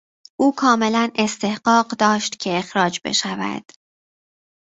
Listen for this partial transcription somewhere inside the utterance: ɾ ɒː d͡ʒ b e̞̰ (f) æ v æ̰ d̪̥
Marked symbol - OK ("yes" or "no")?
no